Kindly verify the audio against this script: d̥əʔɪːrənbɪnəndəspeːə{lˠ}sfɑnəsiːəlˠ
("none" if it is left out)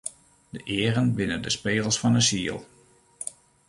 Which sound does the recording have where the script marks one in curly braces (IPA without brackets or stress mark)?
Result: lˠ